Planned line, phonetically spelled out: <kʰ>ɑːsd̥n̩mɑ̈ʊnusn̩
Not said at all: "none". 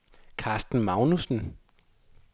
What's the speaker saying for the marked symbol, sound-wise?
kʰ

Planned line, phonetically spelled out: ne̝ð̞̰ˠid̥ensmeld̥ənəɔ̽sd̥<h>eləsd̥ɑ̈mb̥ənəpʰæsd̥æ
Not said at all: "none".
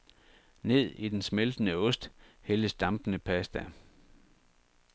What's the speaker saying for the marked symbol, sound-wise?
h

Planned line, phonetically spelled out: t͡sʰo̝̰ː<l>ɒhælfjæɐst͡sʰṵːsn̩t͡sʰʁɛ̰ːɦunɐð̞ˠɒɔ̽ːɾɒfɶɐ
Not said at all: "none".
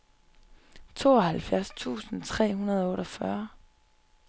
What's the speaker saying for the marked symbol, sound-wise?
none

